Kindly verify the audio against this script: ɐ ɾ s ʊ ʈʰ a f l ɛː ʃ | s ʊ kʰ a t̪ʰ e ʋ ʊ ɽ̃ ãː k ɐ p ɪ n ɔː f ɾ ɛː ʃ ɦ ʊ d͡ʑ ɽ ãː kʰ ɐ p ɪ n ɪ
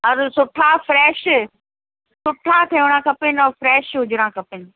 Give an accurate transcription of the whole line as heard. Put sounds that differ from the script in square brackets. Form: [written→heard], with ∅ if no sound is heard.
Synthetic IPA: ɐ ɾ s ʊ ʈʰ a f [l→ɾ] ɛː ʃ | s ʊ [kʰ→ʈʰ] a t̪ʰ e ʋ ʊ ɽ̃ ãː k ɐ p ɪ n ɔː f ɾ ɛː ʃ ɦ ʊ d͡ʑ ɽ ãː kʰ ɐ p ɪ n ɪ